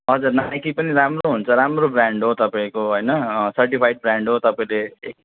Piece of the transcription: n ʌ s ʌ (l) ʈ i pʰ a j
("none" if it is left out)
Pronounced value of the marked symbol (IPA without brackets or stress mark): r